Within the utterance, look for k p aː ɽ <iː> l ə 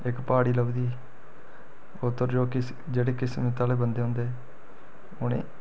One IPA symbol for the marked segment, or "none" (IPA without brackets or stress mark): iː